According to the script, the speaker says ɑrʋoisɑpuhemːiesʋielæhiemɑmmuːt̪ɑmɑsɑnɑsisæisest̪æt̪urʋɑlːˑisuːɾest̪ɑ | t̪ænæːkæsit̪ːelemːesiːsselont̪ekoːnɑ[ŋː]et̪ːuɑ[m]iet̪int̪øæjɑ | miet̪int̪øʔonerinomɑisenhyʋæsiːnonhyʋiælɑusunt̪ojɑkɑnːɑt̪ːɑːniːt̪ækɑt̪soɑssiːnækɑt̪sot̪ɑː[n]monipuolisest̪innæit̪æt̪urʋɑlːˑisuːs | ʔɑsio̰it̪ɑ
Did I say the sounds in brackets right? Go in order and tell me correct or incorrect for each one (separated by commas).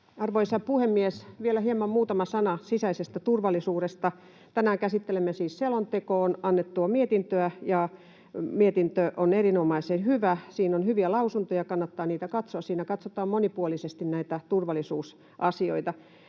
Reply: incorrect, correct, incorrect